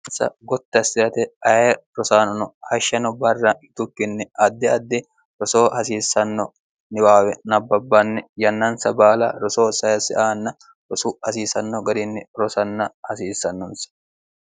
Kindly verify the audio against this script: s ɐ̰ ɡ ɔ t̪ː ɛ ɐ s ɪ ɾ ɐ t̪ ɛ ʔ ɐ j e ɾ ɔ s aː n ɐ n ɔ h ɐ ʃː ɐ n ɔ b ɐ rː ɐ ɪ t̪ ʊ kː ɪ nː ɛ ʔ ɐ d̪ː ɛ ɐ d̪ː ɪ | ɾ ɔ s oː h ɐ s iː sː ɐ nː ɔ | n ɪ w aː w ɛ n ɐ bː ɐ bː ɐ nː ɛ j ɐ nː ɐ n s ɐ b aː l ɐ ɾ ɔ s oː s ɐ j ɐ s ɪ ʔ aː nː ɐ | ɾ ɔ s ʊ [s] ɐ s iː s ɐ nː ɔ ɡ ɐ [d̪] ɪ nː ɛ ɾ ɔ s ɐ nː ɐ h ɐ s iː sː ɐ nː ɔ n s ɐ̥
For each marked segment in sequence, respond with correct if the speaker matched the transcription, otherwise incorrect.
incorrect: h, correct

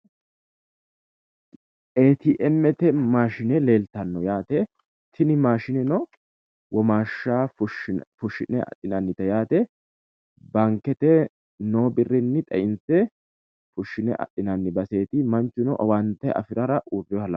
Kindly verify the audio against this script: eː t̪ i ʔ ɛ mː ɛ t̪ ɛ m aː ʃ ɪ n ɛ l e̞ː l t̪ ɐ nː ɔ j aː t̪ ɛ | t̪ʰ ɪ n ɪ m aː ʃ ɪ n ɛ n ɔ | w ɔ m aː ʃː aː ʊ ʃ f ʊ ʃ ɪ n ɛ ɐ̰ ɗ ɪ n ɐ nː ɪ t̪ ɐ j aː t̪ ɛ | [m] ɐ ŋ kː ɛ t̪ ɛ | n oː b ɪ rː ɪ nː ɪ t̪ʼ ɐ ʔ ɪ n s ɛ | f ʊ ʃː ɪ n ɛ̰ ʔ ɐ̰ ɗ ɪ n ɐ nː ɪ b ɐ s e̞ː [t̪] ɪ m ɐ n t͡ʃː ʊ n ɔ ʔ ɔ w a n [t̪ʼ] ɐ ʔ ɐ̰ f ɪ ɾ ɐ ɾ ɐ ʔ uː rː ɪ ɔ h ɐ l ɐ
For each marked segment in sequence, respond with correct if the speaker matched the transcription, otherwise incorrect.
incorrect: b, correct, incorrect: t̪

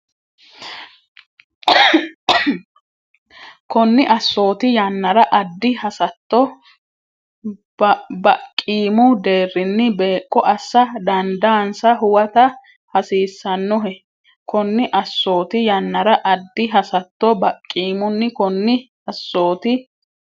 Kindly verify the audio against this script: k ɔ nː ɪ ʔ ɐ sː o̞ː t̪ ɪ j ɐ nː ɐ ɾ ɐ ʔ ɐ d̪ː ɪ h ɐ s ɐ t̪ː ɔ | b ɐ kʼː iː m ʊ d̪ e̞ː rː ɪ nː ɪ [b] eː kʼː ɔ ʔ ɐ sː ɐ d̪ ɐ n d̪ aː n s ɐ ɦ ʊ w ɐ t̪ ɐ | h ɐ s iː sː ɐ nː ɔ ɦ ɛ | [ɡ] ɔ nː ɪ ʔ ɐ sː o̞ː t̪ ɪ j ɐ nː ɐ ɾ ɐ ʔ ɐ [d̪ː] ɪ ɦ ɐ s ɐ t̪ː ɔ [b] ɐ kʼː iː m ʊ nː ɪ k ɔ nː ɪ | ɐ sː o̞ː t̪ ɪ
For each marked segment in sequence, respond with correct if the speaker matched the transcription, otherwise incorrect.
correct, incorrect: k, correct, correct

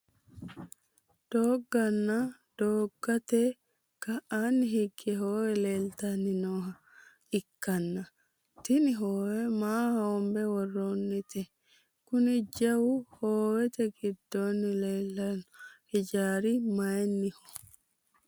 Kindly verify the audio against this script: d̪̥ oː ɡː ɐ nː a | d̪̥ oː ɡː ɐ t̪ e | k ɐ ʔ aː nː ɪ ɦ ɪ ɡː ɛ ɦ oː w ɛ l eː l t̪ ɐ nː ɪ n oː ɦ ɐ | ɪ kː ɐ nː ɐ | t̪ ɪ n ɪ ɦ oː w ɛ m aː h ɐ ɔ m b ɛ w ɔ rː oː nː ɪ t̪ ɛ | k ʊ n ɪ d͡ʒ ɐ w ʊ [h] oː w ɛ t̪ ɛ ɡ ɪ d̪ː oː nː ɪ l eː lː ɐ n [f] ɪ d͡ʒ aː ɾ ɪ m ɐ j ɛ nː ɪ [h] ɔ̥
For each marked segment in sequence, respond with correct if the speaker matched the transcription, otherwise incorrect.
correct, incorrect: h, correct

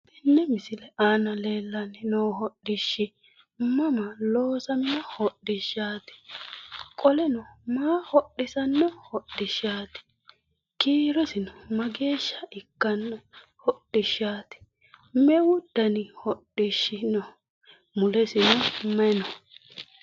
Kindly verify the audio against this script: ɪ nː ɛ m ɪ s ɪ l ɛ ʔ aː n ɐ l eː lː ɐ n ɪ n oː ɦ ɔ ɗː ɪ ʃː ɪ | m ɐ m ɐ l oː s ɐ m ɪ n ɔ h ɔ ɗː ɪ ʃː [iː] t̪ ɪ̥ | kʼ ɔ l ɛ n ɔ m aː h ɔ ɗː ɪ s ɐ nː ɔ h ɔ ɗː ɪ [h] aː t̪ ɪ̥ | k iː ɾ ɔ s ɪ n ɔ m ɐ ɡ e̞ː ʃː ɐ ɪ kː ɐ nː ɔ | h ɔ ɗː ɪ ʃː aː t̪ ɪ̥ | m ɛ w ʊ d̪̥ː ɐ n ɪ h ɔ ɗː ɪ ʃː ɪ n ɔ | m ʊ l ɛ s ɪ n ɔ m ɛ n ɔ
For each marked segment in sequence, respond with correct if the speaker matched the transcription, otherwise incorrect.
incorrect: aː, incorrect: ʃ

